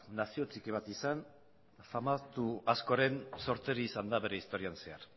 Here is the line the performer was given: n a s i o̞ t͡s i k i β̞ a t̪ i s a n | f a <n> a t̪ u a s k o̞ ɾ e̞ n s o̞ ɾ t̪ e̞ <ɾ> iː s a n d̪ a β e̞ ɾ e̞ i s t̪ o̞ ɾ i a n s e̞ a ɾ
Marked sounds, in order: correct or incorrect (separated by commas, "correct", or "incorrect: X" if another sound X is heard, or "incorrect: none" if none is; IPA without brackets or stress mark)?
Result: incorrect: m, correct